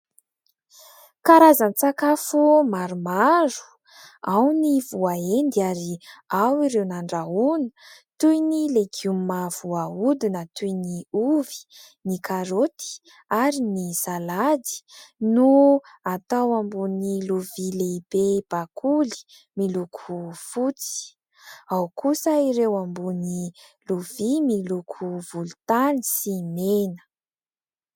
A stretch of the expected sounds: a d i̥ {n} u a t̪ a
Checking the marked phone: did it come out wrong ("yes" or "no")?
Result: no